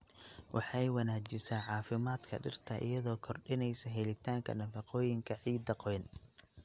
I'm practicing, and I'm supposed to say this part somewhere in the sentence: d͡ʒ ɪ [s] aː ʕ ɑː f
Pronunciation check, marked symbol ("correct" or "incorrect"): correct